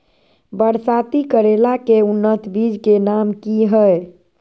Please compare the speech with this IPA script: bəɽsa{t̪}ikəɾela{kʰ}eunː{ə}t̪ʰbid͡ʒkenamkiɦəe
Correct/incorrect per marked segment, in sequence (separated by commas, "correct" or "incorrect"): correct, incorrect, correct